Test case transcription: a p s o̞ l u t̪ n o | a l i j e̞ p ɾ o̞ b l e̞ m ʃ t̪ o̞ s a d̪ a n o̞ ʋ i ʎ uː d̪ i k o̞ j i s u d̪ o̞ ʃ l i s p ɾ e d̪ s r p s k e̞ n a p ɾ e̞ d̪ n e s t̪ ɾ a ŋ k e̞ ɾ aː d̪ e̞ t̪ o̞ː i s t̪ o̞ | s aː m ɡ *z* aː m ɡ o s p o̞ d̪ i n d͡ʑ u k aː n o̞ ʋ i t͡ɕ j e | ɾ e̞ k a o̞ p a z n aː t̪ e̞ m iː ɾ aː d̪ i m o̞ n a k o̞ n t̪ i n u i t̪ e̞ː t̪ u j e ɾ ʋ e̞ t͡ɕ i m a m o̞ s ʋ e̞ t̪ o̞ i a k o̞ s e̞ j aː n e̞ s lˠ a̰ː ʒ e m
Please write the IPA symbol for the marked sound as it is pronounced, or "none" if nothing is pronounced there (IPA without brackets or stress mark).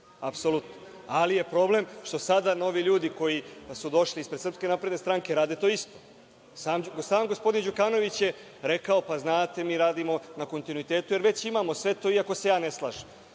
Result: s